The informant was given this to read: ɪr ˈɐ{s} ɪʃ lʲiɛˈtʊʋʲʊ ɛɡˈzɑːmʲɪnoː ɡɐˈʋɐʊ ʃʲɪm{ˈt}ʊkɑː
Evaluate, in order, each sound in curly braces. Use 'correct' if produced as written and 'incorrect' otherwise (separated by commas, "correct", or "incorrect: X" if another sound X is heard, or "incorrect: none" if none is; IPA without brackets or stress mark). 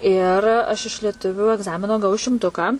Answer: incorrect: ʃ, correct